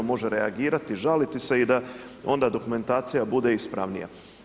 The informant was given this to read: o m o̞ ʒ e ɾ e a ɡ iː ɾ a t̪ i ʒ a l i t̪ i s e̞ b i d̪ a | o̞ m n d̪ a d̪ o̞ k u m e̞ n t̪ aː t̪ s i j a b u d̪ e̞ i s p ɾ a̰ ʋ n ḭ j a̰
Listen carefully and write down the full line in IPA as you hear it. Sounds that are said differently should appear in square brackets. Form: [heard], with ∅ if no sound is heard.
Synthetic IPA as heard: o m o̞ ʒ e ɾ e a ɡ iː ɾ a t̪ i ʒ a l i t̪ i s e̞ [∅] i d̪ a | o̞ [∅] n d̪ a d̪ o̞ k u m e̞ n t̪ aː t̪ s i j a b u d̪ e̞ i s p ɾ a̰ ʋ n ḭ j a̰